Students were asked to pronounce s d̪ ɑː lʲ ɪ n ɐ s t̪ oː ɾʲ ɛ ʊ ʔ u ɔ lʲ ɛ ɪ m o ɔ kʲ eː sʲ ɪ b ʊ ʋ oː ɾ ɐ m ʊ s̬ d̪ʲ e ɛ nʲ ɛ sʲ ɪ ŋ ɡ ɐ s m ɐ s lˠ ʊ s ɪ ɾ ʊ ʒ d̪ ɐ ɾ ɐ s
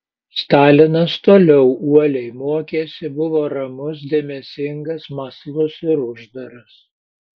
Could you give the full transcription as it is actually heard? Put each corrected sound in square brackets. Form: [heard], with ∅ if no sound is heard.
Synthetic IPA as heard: s [t̪] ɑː lʲ ɪ n ɐ s t̪ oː [lʲ] ɛ ʊ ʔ u ɔ lʲ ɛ ɪ m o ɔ kʲ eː sʲ ɪ b ʊ ʋ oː ɾ ɐ m ʊ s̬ d̪ʲ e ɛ [mʲ] ɛ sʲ ɪ ŋ ɡ ɐ s m ɐ s lˠ ʊ s ɪ ɾ ʊ ʒ d̪ ɐ ɾ ɐ s